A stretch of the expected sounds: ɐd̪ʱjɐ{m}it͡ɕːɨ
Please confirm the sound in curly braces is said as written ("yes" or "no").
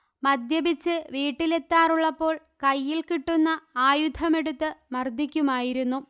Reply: no